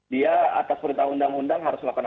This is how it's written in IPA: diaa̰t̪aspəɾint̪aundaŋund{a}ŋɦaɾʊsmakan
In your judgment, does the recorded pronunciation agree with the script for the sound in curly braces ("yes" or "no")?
yes